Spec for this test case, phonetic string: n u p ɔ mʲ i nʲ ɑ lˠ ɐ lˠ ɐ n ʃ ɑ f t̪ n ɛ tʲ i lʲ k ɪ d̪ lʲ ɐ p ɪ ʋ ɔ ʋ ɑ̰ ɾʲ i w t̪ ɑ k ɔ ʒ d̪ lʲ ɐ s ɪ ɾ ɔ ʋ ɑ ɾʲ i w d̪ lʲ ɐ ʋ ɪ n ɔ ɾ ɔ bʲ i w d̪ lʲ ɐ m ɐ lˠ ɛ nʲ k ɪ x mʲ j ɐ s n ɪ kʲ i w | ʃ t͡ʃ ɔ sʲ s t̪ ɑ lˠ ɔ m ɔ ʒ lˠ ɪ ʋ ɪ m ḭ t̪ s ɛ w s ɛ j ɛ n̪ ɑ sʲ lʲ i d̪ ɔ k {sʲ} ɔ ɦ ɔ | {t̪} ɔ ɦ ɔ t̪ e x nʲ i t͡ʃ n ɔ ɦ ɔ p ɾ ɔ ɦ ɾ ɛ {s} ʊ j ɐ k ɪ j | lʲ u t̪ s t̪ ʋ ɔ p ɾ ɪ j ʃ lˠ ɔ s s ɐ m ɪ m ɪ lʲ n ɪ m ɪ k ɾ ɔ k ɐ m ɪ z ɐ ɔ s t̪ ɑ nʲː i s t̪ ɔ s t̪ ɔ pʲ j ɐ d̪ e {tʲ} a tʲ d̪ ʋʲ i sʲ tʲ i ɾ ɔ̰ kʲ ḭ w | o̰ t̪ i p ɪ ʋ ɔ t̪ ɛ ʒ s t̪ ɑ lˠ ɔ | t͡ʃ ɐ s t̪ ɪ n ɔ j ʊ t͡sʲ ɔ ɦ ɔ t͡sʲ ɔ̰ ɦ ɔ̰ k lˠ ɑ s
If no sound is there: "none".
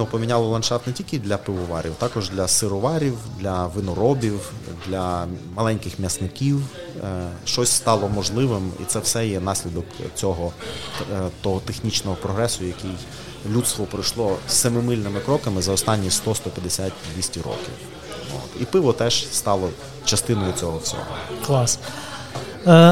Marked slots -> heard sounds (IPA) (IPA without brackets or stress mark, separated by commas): t͡sʲ, t̪, s, sʲ